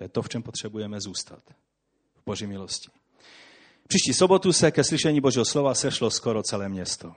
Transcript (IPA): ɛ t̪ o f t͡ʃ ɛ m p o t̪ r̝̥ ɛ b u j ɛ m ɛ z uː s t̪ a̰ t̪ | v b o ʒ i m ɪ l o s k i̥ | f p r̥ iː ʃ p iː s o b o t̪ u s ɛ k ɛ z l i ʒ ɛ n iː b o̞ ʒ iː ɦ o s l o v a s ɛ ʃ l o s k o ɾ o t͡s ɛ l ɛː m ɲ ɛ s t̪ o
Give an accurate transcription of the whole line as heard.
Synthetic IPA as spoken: ɛ t̪ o f t͡ʃ ɛ m p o t̪ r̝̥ ɛ b u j ɛ m ɛ z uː s t̪ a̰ t̪ | v b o ʒ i m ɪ l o s c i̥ | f p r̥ iː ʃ c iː s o b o t̪ u s ɛ k ɛ s l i ʃ ɛ ɲ iː b o̞ ʒ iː ɦ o s l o v a s ɛ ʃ l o s k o ɾ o t͡s ɛ l ɛː m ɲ ɛ s t̪ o